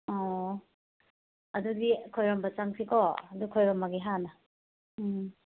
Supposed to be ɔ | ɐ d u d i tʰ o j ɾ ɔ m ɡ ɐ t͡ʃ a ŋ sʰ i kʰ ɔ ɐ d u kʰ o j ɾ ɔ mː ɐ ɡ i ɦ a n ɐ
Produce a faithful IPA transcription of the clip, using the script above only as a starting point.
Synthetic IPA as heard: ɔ | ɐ d u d i kʰ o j ɾ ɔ m b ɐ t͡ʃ a ŋ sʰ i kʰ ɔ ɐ d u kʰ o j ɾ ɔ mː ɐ ɡ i ɦ a n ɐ